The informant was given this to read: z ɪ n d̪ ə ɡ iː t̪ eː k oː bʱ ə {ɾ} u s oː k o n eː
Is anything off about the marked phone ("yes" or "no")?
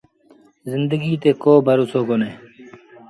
no